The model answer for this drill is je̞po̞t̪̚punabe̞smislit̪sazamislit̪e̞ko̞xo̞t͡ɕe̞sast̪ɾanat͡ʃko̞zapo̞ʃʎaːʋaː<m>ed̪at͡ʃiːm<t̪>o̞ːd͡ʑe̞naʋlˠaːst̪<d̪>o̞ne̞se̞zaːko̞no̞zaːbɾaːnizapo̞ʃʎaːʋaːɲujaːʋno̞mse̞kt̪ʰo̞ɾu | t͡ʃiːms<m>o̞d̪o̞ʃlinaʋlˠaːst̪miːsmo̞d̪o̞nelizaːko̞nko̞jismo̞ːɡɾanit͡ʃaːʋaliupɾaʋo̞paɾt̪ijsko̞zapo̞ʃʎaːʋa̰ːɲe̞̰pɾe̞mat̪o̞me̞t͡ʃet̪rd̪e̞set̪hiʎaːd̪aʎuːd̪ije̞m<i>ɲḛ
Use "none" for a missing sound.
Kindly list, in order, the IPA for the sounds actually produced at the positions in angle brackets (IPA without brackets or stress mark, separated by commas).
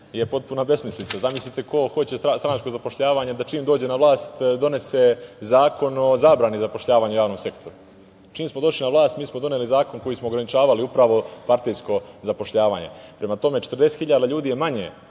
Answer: ɲ, d̪, d̪, m, a